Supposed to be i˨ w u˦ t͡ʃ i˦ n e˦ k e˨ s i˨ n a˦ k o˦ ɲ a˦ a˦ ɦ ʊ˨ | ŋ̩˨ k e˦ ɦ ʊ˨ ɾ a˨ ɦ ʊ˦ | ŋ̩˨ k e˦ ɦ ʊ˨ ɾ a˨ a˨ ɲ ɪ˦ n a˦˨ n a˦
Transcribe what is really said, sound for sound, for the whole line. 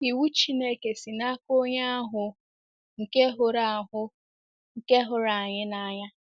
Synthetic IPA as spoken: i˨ w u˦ t͡ʃ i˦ n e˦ k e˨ s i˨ n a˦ k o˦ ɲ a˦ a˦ ɦ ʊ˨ | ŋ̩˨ k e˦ ɦ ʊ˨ ɾ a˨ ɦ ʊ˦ | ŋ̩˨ k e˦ ɦ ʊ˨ ɾ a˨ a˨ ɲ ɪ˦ n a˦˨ ɲ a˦